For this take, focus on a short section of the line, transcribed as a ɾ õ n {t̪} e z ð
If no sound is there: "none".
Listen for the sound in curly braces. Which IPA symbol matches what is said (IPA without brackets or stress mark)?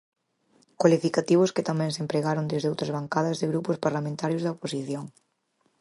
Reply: d̪